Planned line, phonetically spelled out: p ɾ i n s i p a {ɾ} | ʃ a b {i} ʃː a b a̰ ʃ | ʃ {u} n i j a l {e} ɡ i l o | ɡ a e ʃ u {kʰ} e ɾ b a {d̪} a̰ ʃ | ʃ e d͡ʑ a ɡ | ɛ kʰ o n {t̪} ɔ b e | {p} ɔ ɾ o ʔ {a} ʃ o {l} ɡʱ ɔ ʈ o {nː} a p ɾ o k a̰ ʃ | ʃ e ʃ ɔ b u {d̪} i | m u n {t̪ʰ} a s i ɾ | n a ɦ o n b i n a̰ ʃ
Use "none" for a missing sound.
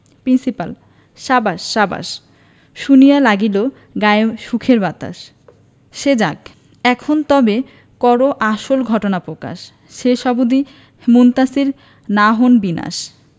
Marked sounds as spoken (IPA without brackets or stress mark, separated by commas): l, a, u, a, kʰ, t̪, t̪, k, a, l, n, d̪, t̪